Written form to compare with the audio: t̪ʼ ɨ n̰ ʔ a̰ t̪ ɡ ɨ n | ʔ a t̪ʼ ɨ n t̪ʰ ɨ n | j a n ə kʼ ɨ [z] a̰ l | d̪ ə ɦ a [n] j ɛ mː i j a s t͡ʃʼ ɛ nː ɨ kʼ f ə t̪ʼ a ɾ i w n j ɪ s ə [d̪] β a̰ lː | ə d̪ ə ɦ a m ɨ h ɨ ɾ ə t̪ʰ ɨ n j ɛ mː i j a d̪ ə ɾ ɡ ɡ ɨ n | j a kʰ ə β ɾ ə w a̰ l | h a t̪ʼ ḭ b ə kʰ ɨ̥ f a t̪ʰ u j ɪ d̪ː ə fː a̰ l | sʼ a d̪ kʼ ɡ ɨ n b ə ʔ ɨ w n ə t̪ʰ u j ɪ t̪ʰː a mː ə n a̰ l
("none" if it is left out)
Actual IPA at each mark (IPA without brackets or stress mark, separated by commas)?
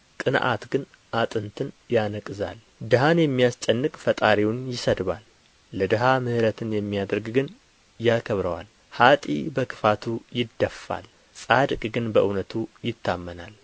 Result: z, n, d̪